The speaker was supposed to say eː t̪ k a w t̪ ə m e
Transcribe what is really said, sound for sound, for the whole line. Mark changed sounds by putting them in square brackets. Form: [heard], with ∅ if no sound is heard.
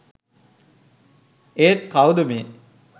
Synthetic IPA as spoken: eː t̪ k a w [d̪] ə m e